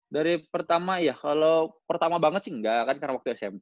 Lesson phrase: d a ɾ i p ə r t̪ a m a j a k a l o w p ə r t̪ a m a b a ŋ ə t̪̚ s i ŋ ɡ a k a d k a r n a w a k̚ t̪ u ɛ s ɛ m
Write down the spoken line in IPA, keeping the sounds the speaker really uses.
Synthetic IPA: d a ɾ i p ə r t̪ a m a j a k a l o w p ə r t̪ a m a b a ŋ ə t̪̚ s i ŋ ɡ a k a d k a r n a w a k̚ t̪ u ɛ s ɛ m